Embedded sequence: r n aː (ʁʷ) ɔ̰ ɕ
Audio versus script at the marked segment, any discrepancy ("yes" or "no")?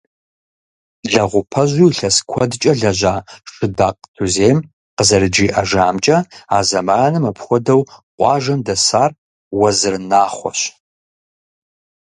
yes